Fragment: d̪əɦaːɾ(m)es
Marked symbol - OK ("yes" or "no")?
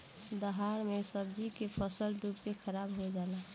yes